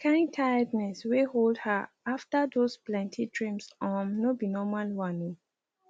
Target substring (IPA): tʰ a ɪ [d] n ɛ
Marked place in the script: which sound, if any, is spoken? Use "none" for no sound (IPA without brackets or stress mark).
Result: d